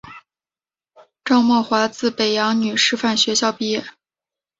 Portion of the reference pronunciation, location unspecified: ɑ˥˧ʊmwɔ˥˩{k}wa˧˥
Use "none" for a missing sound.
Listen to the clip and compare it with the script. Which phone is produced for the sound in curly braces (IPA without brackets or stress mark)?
x